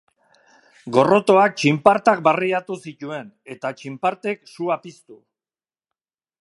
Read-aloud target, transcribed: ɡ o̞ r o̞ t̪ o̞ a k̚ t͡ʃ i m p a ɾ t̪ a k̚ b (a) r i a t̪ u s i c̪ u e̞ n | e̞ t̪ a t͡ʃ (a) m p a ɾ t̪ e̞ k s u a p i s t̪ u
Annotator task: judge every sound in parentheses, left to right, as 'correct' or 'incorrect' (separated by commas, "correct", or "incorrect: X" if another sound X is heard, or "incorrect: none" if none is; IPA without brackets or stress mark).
correct, incorrect: i